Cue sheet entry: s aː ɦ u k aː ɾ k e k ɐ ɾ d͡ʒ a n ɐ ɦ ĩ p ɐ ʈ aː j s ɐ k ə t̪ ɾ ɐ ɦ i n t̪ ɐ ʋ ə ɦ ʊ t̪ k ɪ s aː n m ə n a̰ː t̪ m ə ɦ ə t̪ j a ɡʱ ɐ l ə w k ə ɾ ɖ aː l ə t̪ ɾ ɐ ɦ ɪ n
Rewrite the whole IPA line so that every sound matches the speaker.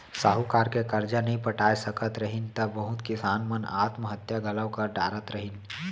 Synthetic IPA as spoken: s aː ɦ u k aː ɾ k e k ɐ ɾ d͡ʒ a n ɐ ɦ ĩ p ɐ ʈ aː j s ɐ k ə t̪ ɾ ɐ ɦ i n t̪ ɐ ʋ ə ɦ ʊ t̪ k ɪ s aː n m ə n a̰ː t̪ m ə ɦ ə t̪ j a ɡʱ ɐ l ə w k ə ɾ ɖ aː ɾ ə t̪ ɾ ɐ ɦ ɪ n